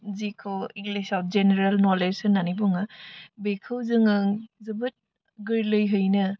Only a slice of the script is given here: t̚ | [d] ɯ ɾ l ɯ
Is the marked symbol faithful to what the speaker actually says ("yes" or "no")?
no